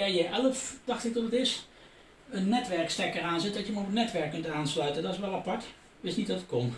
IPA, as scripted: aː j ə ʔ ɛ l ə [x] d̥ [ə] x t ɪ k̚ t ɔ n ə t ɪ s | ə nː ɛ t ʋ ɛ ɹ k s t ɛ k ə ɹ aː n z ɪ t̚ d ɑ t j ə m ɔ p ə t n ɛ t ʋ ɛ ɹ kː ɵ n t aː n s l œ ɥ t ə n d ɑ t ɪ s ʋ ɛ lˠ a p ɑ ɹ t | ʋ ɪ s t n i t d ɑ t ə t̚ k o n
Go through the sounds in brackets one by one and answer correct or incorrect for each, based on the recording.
incorrect: f, incorrect: ɑ

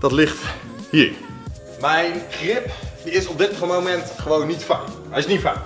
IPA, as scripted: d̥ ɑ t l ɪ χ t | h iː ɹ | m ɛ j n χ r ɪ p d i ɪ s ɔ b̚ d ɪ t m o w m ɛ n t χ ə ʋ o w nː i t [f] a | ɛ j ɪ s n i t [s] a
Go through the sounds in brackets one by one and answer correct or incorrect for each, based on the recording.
correct, incorrect: f

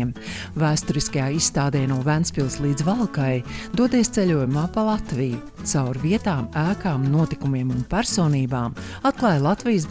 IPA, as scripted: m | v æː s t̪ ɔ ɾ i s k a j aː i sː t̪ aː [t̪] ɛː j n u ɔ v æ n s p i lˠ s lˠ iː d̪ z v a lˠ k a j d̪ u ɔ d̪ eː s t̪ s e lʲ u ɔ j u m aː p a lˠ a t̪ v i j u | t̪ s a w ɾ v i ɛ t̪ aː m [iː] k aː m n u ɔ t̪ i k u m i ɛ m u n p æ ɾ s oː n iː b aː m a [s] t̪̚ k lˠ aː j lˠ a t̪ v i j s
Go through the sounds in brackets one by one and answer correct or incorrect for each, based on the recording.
incorrect: d̪, incorrect: æː, incorrect: none

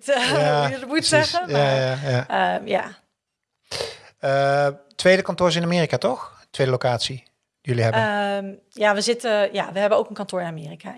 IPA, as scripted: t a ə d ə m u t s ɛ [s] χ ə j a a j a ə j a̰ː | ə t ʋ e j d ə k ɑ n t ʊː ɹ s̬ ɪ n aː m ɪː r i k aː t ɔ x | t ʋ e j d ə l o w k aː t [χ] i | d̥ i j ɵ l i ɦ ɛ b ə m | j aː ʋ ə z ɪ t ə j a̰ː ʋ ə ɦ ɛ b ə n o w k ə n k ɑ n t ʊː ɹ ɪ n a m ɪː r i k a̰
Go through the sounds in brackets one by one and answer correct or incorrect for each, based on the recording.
incorrect: none, incorrect: s

